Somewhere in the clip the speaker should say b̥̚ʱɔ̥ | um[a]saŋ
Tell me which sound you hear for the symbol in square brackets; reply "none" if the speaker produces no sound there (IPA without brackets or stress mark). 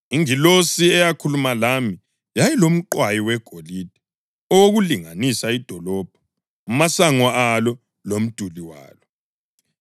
a